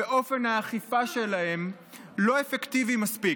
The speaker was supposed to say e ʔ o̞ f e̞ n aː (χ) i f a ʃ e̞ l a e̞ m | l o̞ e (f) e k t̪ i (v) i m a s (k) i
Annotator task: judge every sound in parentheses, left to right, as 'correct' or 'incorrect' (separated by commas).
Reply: correct, correct, correct, incorrect